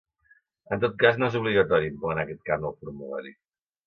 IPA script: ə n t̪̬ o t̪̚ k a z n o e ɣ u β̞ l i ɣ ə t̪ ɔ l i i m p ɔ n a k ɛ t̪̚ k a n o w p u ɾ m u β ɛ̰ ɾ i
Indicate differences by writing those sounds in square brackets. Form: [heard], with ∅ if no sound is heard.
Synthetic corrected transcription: ə n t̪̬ o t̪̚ k a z n o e [z] u β̞ l i ɣ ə t̪ ɔ [ɾ] i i m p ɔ n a k ɛ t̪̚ k a n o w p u ɾ m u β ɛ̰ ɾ i